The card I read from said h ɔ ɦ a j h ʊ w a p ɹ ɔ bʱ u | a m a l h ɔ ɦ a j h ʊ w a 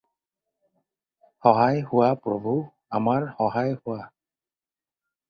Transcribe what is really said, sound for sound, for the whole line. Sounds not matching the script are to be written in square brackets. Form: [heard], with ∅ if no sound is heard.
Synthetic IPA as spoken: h ɔ ɦ a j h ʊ w a p ɹ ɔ bʱ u | a m a [ɹ] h ɔ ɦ a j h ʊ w a